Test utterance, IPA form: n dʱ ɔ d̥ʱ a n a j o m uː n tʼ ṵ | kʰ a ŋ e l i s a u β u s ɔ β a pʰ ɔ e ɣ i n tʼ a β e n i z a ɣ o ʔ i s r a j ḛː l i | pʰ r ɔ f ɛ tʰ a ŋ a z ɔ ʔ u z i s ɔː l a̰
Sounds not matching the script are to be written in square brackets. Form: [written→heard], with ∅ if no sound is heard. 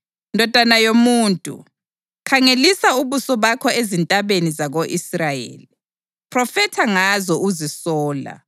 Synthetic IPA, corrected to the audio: n dʱ ɔ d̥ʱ a n a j o m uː n tʼ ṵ | kʰ a ŋ e l i s a u β u s ɔ β a [pʰ→kʰ] ɔ e [ɣ→z] i n tʼ a β e n i z a ɣ o ʔ i s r a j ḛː l i | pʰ r ɔ f ɛ tʰ a ŋ a z ɔ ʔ u z i s ɔː l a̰

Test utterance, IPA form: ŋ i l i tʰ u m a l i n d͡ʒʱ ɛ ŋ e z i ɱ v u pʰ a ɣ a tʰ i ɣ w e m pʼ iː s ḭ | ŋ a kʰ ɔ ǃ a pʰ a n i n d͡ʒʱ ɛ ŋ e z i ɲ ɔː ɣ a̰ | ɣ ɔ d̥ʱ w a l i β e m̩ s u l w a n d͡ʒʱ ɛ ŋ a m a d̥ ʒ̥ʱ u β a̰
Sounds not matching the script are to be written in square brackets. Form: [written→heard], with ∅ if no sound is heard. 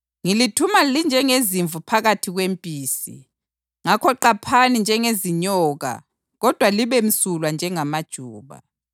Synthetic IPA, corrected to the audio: ŋ i l i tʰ u m a l i n d͡ʒʱ ɛ ŋ e z i ɱ v u pʰ a ɣ a tʰ i ɣ w e m pʼ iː s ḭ | ŋ a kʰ ɔ ǃ a pʰ a n i n d͡ʒʱ ɛ ŋ e z i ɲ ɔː ɣ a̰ | ɣ ɔ d̥ʱ w a l i β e m̩ s u l w a n d͡ʒʱ ɛ ŋ a m a d̥ ʒ̥ʱ [u→uː] β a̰

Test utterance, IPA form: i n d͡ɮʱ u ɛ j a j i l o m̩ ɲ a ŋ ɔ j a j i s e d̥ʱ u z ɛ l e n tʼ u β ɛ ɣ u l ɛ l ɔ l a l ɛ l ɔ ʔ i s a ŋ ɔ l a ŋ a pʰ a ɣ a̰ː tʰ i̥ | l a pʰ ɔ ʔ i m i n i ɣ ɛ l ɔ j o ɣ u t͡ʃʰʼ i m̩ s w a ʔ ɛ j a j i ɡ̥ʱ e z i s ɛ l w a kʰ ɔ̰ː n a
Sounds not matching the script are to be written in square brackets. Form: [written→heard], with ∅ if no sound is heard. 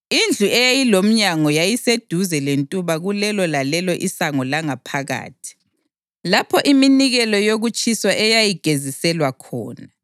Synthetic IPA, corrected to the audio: i n d͡ɮʱ u ɛ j a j i l o m̩ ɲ a ŋ ɔ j a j i s e d̥ʱ u z ɛ l e n tʼ u β [ɛ→a] ɣ u l ɛ l ɔ l a l ɛ l ɔ ʔ i s a ŋ ɔ l a ŋ a pʰ a ɣ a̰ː tʰ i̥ | l a pʰ ɔ ʔ i m i n i ɣ ɛ l ɔ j o ɣ u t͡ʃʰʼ i [m̩→∅] s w a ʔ ɛ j a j i ɡ̥ʱ e z i s ɛ l w a kʰ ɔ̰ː n a

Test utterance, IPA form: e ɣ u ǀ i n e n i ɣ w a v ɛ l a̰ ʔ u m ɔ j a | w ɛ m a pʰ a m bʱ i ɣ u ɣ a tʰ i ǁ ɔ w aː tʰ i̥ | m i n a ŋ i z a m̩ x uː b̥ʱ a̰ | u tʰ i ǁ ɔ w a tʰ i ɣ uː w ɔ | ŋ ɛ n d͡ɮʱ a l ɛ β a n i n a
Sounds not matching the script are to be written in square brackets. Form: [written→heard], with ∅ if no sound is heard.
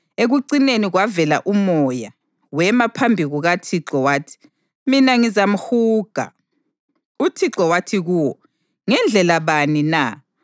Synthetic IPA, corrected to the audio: e ɣ u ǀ i n e n i ɣ w a v ɛ l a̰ ʔ u m ɔ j a | w ɛ m a pʰ a m bʱ i ɣ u ɣ a tʰ i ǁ ɔ w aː tʰ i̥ | m i n a ŋ i z a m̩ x uː [b̥ʱ→ɡ̥ʱ] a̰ | u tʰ i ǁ ɔ w a tʰ i ɣ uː w ɔ | ŋ ɛ n d͡ɮʱ [a→ɛ] l [ɛ→a] β a n i n a

